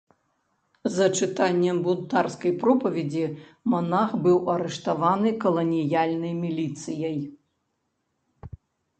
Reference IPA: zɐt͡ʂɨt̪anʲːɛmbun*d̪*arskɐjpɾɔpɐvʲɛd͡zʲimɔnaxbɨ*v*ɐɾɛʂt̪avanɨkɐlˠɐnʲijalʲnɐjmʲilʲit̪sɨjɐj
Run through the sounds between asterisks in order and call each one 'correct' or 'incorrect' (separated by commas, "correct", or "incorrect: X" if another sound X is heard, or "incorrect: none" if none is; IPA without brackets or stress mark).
incorrect: t̪, incorrect: w